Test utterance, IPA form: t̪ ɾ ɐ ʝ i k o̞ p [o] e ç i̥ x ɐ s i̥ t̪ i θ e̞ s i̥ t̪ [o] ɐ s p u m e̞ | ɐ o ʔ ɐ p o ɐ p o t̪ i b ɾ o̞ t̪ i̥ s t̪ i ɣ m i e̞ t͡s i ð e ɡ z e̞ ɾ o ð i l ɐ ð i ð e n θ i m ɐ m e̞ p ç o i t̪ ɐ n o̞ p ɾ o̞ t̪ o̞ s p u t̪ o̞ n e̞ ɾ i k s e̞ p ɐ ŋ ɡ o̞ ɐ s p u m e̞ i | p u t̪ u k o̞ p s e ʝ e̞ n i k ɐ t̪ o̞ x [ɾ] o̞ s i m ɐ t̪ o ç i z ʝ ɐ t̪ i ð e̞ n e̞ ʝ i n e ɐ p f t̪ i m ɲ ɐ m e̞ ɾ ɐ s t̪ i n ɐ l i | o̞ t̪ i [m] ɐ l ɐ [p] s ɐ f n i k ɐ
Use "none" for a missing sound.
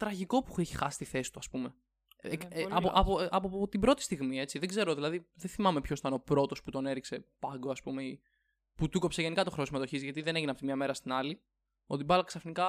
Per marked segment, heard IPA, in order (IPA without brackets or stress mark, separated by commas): u, u, ɾ, b, k